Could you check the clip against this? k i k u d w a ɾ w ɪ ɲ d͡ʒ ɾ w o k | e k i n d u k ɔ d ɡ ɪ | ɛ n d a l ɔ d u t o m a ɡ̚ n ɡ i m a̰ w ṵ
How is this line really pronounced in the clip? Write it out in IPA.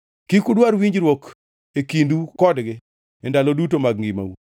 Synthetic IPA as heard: k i k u d w a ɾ w i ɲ d͡ʒ ɾ w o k | e k i n d u k ɔ d ɡ ɪ | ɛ n d a l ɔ d u t o m a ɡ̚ ŋ ɡ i m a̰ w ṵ